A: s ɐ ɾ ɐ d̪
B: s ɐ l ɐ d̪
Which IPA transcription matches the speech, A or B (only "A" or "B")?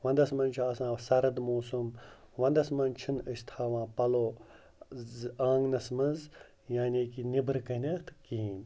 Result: A